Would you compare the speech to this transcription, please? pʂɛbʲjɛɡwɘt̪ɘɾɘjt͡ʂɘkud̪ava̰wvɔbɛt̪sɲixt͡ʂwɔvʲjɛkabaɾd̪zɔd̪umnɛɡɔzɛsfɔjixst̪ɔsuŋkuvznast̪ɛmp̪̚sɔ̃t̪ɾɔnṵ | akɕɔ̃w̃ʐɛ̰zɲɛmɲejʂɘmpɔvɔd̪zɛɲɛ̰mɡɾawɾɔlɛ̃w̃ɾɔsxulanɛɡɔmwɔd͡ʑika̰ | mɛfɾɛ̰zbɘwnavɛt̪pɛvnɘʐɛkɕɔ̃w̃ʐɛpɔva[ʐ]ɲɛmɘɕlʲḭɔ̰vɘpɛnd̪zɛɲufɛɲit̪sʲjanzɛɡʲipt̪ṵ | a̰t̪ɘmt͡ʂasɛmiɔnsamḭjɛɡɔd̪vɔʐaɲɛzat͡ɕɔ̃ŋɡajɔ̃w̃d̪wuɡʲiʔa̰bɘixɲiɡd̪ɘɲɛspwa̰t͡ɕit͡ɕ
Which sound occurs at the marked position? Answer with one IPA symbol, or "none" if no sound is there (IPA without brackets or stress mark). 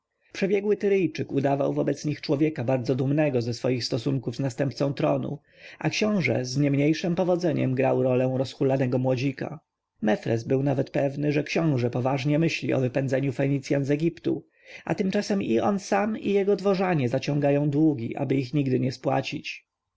ʐ